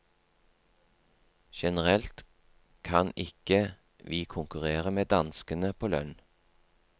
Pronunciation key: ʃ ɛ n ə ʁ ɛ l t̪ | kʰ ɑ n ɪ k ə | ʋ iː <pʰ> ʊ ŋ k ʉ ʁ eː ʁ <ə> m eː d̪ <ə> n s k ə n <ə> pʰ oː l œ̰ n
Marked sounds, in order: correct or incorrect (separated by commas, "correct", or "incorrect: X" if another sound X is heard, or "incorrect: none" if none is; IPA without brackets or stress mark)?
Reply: incorrect: kʰ, correct, incorrect: ɑ, correct